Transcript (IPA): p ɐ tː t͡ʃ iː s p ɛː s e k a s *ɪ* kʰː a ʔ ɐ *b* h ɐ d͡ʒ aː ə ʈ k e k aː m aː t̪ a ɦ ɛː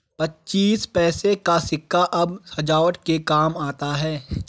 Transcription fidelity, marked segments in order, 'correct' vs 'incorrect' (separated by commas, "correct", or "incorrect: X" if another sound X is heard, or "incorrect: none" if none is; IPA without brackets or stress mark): correct, correct